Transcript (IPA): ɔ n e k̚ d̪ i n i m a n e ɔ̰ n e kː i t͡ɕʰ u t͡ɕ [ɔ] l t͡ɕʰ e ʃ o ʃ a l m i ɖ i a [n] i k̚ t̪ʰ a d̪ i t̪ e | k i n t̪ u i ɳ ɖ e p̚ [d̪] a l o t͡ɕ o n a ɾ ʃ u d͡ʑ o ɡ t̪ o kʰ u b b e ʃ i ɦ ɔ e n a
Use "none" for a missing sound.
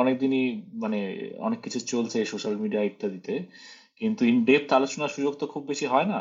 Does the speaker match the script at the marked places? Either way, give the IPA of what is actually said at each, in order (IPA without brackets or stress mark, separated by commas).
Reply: o, none, t̪